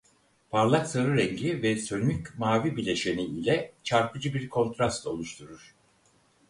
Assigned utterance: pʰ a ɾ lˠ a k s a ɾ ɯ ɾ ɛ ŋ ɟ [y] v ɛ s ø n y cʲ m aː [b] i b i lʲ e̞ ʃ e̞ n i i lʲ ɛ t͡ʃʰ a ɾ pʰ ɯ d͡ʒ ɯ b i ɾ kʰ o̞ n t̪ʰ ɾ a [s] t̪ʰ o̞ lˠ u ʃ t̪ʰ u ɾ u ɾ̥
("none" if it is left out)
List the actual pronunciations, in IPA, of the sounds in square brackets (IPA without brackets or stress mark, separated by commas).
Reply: i, v, s